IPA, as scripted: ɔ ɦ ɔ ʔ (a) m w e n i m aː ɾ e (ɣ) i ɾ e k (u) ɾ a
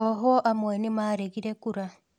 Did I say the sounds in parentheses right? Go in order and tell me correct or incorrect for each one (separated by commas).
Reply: correct, correct, correct